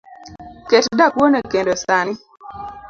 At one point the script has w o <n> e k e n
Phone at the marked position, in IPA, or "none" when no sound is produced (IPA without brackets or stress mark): n